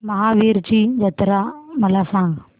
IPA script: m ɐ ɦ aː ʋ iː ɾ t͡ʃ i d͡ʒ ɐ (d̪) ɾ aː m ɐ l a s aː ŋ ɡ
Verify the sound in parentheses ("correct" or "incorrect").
incorrect